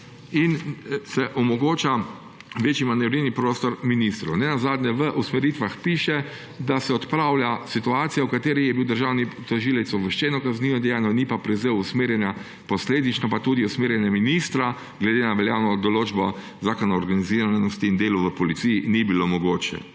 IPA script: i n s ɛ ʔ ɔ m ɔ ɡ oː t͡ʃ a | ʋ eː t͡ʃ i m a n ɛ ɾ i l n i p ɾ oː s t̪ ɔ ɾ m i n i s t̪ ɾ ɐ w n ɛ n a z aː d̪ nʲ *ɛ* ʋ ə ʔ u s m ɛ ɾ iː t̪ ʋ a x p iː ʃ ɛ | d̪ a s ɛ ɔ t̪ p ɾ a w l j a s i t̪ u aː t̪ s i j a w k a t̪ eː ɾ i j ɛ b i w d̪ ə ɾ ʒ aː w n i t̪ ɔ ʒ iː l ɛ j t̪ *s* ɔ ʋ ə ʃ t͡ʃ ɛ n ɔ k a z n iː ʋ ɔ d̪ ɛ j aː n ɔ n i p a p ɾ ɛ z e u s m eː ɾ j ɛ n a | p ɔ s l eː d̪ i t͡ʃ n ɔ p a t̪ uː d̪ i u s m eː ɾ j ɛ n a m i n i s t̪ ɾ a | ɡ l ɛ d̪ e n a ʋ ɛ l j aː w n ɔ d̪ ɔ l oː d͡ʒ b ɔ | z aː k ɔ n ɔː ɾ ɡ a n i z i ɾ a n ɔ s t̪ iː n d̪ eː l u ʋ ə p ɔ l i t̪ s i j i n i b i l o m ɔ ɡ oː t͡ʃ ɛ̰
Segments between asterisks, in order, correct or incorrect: correct, correct

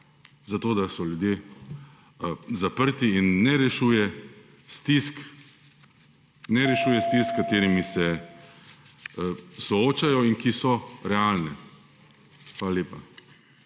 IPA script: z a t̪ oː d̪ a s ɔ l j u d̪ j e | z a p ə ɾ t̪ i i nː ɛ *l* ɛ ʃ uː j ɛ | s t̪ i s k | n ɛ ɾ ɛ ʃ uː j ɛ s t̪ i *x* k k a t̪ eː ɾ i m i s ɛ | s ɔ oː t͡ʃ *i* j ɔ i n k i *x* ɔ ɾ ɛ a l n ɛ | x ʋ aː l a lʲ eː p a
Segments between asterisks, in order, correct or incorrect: incorrect, incorrect, incorrect, incorrect

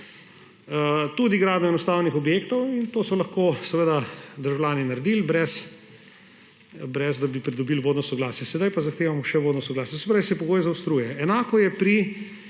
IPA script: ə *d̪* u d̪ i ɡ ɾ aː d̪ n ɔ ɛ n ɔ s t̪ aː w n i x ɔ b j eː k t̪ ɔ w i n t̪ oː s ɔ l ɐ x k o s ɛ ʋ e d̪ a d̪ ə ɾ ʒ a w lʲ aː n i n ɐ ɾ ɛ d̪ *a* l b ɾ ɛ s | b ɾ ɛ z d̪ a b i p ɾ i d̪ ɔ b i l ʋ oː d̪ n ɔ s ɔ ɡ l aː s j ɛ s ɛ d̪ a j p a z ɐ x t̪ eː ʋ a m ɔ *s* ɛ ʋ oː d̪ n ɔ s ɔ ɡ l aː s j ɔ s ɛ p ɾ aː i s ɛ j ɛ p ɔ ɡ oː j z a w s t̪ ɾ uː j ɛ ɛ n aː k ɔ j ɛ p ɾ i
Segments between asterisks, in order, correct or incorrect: incorrect, incorrect, incorrect

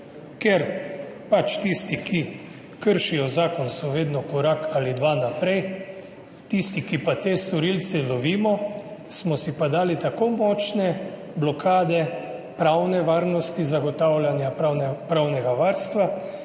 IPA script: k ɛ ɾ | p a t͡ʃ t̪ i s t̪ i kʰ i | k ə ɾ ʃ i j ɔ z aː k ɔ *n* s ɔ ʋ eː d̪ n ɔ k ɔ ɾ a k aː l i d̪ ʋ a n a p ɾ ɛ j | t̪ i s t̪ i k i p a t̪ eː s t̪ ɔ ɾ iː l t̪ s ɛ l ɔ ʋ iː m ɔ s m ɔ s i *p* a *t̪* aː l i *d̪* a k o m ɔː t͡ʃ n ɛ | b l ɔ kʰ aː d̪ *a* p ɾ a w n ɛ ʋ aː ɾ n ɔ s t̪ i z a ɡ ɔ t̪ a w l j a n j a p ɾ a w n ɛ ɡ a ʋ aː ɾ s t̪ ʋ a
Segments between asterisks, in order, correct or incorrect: correct, correct, incorrect, incorrect, incorrect

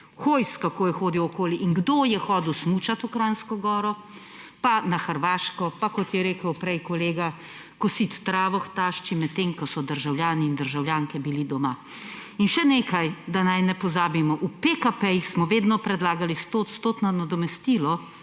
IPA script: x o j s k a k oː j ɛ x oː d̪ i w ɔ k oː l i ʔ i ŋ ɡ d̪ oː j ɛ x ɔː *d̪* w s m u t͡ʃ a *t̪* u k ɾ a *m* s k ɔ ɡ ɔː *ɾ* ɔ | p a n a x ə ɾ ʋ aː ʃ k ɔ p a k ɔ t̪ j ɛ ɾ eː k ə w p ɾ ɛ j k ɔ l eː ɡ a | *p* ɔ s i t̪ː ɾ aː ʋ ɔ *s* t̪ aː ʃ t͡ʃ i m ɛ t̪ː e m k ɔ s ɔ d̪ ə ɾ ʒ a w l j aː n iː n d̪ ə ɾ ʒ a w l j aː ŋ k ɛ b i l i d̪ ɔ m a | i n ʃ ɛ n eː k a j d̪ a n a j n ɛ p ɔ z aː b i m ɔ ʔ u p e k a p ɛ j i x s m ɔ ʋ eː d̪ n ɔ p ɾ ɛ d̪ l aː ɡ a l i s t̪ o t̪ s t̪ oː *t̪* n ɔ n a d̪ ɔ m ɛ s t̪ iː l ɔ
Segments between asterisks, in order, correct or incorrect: correct, correct, incorrect, correct, incorrect, incorrect, correct

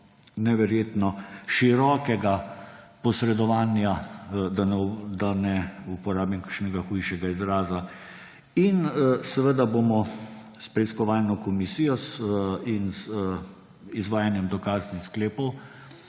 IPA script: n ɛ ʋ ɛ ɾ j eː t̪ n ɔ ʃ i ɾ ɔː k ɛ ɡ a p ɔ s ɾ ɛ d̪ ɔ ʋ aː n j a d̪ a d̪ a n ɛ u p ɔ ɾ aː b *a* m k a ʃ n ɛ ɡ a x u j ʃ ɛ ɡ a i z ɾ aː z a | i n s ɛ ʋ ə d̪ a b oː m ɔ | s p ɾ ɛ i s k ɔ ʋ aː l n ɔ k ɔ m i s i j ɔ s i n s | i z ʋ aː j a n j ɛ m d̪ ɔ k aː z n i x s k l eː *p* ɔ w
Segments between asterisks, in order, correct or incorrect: incorrect, correct

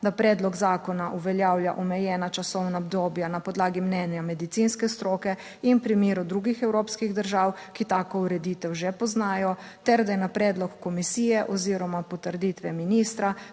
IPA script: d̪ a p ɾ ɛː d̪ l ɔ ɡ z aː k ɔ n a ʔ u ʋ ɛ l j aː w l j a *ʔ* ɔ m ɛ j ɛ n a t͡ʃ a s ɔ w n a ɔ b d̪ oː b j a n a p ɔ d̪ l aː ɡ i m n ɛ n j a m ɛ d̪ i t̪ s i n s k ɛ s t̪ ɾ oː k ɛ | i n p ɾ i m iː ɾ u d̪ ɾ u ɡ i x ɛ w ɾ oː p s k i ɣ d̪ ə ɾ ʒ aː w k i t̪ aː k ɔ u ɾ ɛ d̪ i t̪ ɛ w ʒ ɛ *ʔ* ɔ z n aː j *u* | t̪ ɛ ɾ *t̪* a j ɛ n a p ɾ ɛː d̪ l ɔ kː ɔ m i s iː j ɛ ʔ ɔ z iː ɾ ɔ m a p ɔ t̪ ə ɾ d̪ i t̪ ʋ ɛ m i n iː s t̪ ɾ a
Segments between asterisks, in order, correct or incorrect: correct, incorrect, incorrect, incorrect

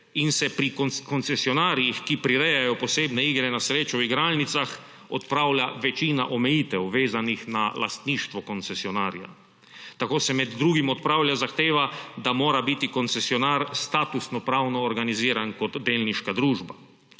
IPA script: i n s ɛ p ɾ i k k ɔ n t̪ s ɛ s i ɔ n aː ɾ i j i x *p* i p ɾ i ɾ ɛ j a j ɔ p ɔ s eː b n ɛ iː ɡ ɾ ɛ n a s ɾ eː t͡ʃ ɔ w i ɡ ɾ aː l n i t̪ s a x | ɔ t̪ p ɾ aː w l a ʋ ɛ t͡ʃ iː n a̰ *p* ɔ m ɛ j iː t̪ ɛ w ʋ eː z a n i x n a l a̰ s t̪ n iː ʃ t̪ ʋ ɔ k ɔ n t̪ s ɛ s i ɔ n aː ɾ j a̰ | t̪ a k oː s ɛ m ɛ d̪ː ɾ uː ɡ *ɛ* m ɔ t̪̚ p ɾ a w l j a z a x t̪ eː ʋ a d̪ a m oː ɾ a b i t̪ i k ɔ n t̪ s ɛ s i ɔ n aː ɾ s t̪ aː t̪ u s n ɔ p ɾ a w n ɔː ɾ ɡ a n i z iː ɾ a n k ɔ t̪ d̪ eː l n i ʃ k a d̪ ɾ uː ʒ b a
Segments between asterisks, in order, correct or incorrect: incorrect, incorrect, incorrect

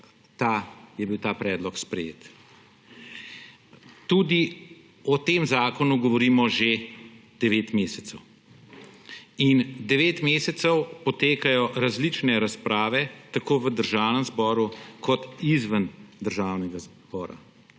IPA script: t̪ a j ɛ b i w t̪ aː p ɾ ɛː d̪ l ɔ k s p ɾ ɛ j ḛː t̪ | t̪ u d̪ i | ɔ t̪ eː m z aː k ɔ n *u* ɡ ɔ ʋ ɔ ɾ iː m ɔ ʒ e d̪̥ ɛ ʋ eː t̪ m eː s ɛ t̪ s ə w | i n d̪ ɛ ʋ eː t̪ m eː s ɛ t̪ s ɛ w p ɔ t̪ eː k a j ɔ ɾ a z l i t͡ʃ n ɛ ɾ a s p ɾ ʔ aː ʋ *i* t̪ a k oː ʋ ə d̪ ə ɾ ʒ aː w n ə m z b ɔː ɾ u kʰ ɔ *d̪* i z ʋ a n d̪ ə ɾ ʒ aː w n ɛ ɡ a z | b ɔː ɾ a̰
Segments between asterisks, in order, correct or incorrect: correct, incorrect, incorrect

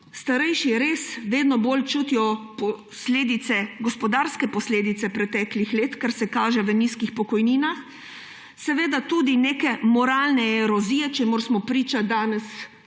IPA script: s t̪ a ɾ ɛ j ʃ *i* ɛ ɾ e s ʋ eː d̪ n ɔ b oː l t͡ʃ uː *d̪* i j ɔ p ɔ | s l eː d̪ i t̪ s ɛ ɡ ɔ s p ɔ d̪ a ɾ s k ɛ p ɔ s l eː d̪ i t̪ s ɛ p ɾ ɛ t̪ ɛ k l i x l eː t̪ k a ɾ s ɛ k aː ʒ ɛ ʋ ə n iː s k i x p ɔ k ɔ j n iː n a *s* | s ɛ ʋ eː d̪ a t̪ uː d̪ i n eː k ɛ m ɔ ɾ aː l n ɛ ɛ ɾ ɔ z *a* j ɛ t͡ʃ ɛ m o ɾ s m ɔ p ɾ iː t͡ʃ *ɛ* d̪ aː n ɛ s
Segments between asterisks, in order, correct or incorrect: correct, incorrect, incorrect, incorrect, incorrect

